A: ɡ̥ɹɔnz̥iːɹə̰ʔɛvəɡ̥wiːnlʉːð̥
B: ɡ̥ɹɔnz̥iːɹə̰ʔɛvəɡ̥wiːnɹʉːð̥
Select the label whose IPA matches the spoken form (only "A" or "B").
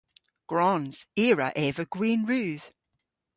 B